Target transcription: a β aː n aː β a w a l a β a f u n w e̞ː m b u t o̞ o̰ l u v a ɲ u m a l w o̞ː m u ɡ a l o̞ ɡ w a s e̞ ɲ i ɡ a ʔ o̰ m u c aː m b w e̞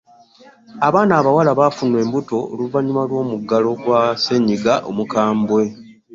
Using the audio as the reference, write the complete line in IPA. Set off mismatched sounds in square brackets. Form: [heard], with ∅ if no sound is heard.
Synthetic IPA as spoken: a β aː n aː β a w a l a β a f u n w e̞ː m b u t o̞ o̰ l u v a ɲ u m a l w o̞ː m u ɡ a l o̞ ɡ w a s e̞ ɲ i ɡ a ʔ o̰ m u [k] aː m b w e̞